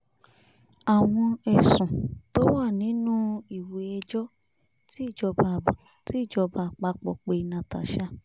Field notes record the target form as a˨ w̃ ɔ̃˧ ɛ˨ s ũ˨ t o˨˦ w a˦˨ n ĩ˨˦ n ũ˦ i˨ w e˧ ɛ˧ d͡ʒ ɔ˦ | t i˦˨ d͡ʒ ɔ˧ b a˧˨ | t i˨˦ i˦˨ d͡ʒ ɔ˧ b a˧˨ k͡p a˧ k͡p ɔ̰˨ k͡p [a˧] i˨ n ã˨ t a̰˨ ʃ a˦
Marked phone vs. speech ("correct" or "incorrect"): incorrect